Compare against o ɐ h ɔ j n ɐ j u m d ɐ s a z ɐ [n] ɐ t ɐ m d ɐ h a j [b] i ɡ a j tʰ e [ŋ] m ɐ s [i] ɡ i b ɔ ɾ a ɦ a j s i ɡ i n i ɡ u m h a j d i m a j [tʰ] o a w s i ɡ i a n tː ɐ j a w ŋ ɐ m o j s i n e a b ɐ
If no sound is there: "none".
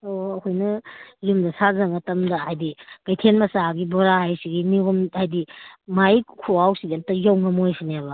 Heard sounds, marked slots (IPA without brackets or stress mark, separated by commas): ŋ, d, n, a, kʰ